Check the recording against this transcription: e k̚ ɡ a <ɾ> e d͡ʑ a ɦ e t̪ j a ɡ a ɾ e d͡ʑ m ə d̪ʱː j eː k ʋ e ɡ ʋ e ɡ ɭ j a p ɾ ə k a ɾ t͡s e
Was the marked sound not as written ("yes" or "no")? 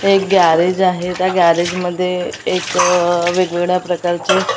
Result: no